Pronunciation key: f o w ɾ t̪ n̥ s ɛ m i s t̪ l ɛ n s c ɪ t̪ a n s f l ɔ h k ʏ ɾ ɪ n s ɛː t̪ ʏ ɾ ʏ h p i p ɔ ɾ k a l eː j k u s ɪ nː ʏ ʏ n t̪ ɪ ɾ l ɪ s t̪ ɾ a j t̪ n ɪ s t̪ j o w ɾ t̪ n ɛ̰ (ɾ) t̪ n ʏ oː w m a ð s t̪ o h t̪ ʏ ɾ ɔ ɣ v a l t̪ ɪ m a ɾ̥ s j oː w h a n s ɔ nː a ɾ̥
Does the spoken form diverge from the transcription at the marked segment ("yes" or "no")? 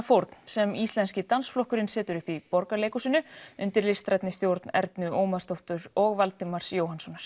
no